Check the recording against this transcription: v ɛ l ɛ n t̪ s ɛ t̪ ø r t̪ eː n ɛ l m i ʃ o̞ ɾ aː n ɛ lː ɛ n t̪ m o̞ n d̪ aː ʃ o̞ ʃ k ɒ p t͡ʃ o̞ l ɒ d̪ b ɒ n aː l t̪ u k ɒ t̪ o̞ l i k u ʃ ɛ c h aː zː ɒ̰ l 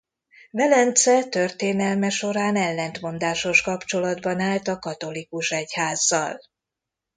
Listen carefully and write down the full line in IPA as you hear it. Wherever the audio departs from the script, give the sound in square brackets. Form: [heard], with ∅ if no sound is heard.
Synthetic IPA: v ɛ l ɛ n t̪ s ɛ t̪ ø r t̪ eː n ɛ l m [ɛ] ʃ o̞ ɾ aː n ɛ lː ɛ n t̪ m o̞ n d̪ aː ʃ o̞ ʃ k ɒ p t͡ʃ o̞ l ɒ d̪ b ɒ n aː l t̪ [ɒ] k ɒ t̪ o̞ l i k u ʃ ɛ c h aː zː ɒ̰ l